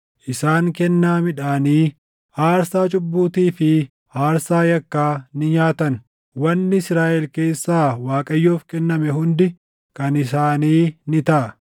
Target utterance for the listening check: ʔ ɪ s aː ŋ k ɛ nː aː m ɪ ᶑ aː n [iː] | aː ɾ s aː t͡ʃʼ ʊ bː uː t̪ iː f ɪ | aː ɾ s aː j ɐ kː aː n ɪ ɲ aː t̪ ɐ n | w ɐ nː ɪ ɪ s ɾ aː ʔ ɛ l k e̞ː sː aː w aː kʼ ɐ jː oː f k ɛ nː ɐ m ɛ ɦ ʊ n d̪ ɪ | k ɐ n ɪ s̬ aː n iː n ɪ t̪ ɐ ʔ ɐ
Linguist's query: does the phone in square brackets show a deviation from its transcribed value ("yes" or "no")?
no